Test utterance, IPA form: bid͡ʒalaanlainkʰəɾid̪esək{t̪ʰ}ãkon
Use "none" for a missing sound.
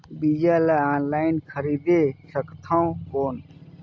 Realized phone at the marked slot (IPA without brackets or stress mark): t̪ʰ